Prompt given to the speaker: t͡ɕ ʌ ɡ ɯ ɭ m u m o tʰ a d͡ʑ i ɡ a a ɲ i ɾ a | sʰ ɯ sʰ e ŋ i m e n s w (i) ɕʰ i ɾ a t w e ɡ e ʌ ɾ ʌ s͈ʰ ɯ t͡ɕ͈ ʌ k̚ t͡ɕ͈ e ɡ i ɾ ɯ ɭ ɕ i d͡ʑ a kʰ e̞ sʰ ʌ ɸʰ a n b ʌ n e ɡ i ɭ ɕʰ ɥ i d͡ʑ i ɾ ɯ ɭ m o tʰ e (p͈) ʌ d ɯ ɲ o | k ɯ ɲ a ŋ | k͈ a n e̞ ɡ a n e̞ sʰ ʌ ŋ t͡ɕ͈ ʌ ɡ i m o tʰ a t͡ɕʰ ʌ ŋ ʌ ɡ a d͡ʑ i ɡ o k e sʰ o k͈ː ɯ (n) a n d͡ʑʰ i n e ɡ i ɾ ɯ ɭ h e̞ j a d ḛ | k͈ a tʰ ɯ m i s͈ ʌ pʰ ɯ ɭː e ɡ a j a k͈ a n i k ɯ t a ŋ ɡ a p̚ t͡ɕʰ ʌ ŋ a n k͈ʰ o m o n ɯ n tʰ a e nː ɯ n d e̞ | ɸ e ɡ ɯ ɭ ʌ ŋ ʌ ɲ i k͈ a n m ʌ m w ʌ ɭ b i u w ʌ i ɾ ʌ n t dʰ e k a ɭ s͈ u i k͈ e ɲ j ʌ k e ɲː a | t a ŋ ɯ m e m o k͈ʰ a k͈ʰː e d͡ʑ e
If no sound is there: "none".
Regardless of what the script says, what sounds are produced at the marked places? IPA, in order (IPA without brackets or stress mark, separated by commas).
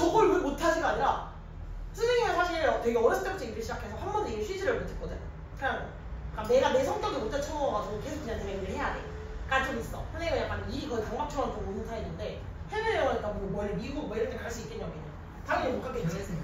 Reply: a, k͈, ɲ